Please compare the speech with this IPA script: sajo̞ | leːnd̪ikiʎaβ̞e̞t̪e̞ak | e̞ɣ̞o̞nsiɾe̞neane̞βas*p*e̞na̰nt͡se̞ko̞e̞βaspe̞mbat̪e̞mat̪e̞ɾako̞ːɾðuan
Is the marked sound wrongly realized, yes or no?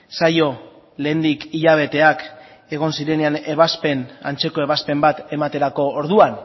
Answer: no